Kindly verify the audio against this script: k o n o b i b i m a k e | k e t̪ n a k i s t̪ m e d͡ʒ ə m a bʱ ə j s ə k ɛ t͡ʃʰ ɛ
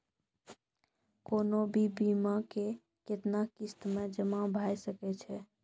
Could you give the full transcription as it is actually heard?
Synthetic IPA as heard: k o n o b i b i m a k e | k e t̪ n a k i s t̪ m e d͡ʒ ə m a bʱ a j s ə k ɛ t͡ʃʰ ɛ